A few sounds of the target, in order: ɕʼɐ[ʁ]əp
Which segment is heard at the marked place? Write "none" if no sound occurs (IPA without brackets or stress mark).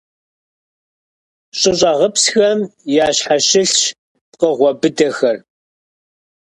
ʁ